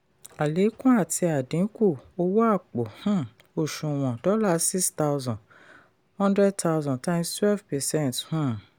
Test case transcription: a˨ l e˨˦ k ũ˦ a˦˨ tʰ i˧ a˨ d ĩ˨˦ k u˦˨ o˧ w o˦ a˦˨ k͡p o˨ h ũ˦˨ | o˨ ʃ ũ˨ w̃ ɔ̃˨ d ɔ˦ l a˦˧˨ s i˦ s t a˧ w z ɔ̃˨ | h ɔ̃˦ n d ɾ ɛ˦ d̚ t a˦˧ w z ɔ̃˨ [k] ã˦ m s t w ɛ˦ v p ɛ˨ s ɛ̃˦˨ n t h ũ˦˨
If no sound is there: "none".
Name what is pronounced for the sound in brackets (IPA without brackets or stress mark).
t